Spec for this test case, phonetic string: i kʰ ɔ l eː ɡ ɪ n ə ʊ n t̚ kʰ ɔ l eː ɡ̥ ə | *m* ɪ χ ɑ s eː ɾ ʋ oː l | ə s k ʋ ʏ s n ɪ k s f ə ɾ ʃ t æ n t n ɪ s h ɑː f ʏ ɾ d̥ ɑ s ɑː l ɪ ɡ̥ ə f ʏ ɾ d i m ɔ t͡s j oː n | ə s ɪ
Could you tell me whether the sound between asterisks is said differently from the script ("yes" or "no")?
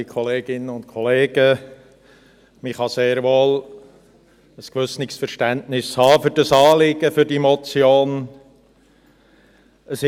no